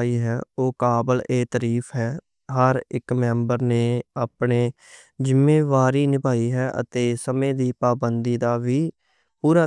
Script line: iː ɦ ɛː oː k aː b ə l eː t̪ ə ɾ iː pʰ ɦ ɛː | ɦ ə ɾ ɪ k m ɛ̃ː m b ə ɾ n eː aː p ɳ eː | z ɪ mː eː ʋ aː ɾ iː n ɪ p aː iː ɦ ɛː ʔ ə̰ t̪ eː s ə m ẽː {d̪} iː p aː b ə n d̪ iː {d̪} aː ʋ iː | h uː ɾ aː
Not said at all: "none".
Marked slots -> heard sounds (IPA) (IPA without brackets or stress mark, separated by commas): d̪, d̪